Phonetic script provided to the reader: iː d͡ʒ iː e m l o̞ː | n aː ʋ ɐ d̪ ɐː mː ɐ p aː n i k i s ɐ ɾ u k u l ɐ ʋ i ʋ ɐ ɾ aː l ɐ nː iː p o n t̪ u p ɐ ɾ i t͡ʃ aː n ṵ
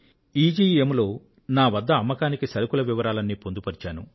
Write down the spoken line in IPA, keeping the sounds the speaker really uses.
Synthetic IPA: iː d͡ʒ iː e m l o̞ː | n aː ʋ ɐ d̪ː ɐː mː ɐ k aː n i k i s ɐ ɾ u k u l ɐ ʋ i ʋ ɐ ɾ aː l ɐ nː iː p o n d̪ u p ɐ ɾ i t͡ʃ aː n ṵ

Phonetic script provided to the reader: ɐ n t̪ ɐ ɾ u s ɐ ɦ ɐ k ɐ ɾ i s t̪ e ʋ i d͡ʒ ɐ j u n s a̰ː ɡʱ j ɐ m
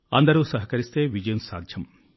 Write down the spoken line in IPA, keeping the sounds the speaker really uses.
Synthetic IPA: ɐ n d̪ ɐ ɾ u s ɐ ɦ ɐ k ɐ ɾ i s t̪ e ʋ i d͡ʒ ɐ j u n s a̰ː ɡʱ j ɐ m

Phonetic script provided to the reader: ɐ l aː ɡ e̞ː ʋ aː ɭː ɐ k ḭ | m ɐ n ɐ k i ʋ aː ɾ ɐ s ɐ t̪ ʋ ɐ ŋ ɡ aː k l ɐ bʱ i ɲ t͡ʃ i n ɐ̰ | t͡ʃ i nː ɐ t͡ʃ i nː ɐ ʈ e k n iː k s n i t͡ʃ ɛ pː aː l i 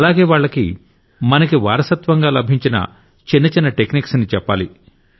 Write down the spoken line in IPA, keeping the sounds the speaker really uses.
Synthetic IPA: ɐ l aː ɡ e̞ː ʋ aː ɭː ɐ k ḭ | m ɐ n ɐ k i ʋ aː ɾ ɐ s ɐ t̪ ʋ ɐ ŋ ɡ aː l ɐ bʱ i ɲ t͡ʃ i n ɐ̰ | t͡ʃ i nː ɐ t͡ʃ i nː ɐ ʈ e k n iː k s n i t͡ʃ ɛ pː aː l i

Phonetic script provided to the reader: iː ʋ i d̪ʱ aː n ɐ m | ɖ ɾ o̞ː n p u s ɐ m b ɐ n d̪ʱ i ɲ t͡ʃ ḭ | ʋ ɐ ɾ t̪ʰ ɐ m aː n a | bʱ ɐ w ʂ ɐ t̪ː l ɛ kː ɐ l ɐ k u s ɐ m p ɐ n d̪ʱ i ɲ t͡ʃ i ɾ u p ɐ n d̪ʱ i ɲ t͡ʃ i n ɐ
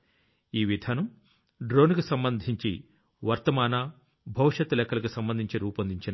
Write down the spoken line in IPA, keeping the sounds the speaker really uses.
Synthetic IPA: iː ʋ i d̪ʱ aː n ɐ m | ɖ ɾ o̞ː n k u s ɐ m b ɐ n d̪ʱ i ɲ t͡ʃ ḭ | ʋ ɐ ɾ t̪ ɐ m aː n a | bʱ ɐ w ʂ ɐ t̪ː l ɛ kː ɐ l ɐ k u s ɐ m b ɐ n d̪ʱ i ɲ t͡ʃ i ɾ uː p ɐ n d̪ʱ i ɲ t͡ʃ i n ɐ

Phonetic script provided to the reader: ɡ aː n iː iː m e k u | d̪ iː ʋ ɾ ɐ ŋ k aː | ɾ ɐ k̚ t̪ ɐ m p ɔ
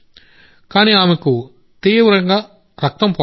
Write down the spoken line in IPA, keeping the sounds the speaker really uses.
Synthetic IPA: k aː n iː aː m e k u | t̪ iː ʋ ɾ ɐ ŋ ɡ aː | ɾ ɐ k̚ t̪ ɐ m p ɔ

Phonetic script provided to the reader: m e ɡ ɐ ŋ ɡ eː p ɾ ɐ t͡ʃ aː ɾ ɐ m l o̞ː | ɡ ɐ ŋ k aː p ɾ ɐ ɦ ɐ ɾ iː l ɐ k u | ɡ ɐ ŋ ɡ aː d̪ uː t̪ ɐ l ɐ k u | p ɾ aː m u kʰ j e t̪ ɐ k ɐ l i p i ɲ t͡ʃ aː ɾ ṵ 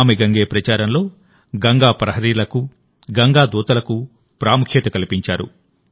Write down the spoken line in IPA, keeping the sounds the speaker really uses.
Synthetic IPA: m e ɡ ɐ ŋ ɡ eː p ɾ ɐ t͡ʃ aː ɾ ɐ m l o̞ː | ɡ ɐ ŋ ɡ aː p ɾ ɐ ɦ ɐ ɾ iː l ɐ k u | ɡ ɐ ŋ ɡ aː d̪ uː t̪ ɐ l ɐ k u | p ɾ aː m u kʰ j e t̪ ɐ k ɐ l i p i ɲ t͡ʃ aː ɾ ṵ

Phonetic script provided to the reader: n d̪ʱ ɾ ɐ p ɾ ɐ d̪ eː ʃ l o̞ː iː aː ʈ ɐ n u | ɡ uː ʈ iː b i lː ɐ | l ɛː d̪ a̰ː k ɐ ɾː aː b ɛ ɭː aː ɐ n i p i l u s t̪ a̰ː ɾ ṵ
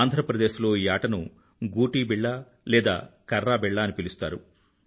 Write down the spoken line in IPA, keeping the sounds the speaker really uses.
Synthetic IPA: n d̪ʱ ɾ ɐ p ɾ ɐ d̪ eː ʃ l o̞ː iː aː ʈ ɐ n u | ɡ uː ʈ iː b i ɭː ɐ | l ɛː d̪ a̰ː k ɐ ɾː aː b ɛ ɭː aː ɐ n i p i l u s t̪ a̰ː ɾ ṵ

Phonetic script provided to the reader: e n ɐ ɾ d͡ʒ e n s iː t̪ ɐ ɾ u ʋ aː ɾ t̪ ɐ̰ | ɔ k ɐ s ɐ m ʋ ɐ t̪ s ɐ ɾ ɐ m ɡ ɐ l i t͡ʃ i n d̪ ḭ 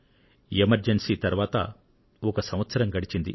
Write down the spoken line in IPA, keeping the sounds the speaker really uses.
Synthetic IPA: e m ɐ ɾ d͡ʒ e n s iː t̪ ɐ ɾ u ʋ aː t̪ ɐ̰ | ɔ k ɐ s ɐ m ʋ ɐ t̪ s ɐ ɾ ɐ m ɡ ɐ ɽ i t͡ʃ i n d̪ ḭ

